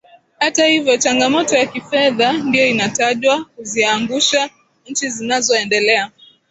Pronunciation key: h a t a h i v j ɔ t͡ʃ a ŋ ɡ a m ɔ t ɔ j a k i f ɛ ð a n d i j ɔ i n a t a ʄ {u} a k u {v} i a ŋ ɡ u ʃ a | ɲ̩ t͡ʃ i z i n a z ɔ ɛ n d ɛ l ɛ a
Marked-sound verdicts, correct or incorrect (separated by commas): incorrect, incorrect